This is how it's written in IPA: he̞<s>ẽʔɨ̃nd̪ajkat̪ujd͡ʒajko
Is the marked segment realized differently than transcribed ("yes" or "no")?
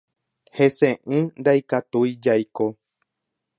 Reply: no